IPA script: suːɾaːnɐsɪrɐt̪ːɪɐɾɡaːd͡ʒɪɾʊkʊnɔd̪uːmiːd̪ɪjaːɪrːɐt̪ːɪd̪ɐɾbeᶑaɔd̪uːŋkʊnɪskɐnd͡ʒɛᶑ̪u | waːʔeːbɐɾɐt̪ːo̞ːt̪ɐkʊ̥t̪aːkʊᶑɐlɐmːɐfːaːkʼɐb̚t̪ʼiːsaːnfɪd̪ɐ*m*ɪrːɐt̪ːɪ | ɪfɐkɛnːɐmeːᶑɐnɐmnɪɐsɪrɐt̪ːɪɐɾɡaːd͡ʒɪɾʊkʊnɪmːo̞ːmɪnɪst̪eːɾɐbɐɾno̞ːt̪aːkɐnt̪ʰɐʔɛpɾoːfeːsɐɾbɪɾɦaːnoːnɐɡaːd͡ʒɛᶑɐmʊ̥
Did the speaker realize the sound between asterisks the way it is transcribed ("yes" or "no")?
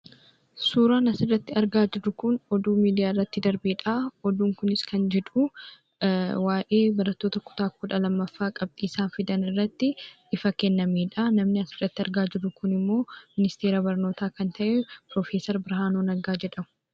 no